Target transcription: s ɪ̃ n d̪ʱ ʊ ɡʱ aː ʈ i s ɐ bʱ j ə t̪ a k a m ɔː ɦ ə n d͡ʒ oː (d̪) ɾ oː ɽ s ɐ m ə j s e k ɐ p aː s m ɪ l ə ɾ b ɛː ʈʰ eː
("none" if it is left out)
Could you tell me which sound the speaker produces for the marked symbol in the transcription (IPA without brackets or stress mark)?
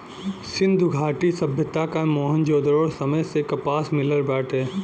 d̪